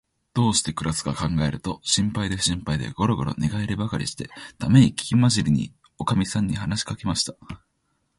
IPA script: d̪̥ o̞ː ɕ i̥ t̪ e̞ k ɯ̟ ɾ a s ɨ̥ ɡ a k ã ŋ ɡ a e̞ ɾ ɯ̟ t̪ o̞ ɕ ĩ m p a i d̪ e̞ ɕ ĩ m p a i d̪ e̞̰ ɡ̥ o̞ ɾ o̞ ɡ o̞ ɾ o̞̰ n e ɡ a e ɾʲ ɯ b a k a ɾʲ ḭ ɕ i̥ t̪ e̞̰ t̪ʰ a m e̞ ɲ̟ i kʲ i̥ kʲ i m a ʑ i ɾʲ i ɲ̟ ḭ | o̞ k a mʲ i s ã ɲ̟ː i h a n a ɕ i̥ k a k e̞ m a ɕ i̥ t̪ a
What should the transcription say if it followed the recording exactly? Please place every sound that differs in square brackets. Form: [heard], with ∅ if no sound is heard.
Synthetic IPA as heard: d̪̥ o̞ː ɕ i̥ t̪ e̞ k ɯ̟ ɾ a s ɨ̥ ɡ a k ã ŋ ɡ a e̞ ɾ ɯ̟ t̪ o̞ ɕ ĩ m p a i d̪ e̞ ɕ ĩ m p a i d̪ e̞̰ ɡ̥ o̞ ɾ o̞ ɡ o̞ ɾ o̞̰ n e ɡ a e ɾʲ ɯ b a k a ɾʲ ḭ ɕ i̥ t̪ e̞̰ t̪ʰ a m e̞ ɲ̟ i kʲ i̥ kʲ i m a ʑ i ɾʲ i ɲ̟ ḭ | o̞ k a mʲ i s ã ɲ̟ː i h a n a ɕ i̥ k a k e̞ m a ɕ i̥ t̪ a